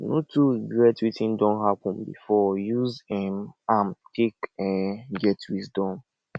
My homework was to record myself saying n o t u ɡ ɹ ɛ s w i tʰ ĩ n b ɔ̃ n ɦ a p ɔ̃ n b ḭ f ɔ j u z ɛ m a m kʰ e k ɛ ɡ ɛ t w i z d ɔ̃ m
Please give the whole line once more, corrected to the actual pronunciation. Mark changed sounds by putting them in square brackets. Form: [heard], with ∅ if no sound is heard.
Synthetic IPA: n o t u ɡ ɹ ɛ [t] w i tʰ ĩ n [d] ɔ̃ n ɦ a p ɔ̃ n b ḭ f ɔ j u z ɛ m a m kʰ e k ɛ ɡ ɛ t w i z d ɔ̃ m

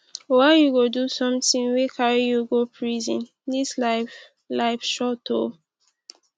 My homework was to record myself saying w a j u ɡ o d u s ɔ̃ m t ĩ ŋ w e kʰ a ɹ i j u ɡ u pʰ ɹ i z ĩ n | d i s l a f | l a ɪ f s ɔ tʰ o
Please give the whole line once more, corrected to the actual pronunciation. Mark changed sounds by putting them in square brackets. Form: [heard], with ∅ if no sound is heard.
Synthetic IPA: w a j u ɡ o d u s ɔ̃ m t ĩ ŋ w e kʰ a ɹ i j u ɡ [o] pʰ ɹ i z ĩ n | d i s l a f | l a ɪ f [ʃ] ɔ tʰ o

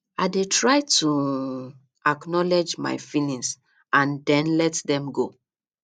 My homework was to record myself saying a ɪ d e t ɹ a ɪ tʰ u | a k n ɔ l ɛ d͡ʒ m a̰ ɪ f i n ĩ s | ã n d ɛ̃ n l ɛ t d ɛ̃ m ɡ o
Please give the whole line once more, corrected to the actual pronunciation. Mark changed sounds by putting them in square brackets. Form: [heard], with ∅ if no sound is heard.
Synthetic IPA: a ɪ d e t ɹ a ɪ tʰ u | a k n ɔ l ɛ d͡ʒ m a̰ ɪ f i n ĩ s | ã n d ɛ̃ n l ɛ t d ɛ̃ m ɡ o

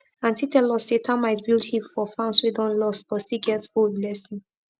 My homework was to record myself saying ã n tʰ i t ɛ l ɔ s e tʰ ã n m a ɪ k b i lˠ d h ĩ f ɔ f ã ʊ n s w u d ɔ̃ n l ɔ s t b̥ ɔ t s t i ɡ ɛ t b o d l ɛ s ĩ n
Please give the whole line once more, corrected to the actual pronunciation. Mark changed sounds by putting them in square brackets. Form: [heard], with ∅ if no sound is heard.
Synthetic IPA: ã n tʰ i t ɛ l ɔ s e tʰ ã n m a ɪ [t] b i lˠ d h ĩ f ɔ f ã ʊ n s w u d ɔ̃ n l ɔ s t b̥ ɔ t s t i ɡ ɛ t b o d l ɛ s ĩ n

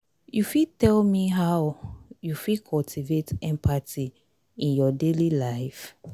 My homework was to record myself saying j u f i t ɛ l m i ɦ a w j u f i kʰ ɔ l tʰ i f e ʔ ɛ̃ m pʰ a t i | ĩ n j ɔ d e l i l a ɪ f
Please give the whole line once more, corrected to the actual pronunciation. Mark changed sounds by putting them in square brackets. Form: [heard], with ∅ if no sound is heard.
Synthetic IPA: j u f i t ɛ l m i ɦ a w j u f i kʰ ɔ l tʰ i [v] e [t] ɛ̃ m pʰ a t i | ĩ n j ɔ d e l i l a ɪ f

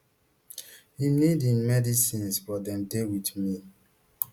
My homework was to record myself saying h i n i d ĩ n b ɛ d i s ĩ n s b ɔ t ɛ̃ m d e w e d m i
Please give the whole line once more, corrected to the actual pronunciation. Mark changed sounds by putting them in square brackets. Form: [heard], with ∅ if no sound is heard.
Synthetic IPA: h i n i d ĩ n [m] ɛ d i s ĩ n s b ɔ [d] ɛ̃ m d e w [i] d m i

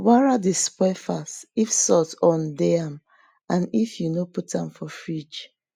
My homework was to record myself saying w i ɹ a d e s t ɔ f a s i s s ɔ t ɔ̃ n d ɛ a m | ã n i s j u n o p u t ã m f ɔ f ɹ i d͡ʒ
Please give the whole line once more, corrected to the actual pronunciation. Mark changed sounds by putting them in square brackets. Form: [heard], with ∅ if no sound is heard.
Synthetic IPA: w [a] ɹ a d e s [p] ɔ f a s i [f] s ɔ t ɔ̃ n d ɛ a m | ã n i [f] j u n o p u t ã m f ɔ f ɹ i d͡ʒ

